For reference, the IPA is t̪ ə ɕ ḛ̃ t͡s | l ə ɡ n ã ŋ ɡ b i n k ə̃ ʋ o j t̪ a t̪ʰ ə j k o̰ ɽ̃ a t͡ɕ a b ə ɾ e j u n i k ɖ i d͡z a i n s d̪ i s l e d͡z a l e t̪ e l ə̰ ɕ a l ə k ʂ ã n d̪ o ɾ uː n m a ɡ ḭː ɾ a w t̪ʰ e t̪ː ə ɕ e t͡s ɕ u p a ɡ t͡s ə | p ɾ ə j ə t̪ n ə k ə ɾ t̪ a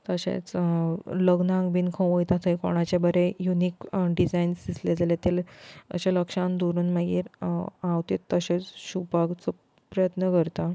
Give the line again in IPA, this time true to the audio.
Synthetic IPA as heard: t̪ ə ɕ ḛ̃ t͡s | l ə ɡ n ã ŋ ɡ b i n kʰ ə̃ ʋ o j t̪ a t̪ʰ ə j k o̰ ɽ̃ a t͡ɕ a b ə ɾ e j u n i k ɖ i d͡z a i n s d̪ i s l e d͡z a l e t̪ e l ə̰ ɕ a l ə k ʂ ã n d̪ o ɾ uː n m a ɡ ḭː ɾ a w t̪ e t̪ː ə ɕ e t͡s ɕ u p a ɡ t͡s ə | p ɾ ə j ə t̪ n ə k ə ɾ t̪ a